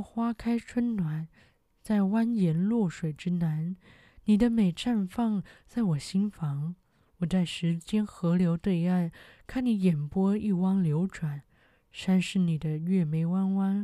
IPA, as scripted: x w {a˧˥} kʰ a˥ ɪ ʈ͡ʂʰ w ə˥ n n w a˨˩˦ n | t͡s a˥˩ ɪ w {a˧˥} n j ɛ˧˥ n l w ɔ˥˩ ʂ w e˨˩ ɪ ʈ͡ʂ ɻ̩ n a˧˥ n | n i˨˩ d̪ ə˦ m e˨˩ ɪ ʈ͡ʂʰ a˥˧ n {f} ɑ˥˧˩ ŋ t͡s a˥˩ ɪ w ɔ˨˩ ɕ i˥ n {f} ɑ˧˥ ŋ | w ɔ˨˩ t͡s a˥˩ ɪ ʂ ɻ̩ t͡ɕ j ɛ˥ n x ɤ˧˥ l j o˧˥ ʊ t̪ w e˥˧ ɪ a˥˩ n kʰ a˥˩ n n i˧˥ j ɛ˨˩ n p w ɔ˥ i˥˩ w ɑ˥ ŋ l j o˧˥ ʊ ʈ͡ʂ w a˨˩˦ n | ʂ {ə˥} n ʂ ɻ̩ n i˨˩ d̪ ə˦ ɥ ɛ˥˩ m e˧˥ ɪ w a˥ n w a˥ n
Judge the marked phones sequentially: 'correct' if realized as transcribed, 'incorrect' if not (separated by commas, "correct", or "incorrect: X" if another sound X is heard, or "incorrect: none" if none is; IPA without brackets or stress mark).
incorrect: a˥, incorrect: a˥, correct, correct, incorrect: a˥